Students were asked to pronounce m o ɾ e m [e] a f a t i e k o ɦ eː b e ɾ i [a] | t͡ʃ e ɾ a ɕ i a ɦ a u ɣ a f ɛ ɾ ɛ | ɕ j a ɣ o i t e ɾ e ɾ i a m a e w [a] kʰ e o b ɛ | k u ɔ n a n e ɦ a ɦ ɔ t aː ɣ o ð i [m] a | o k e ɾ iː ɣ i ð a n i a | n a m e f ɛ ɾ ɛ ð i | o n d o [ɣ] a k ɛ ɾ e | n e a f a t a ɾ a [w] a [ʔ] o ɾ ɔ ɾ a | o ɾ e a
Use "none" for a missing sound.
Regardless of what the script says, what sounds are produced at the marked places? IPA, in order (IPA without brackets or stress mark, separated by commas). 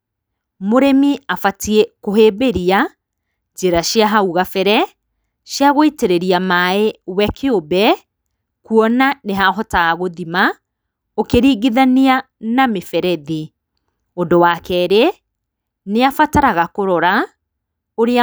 i, a, ɛ, m, w, ɣ, k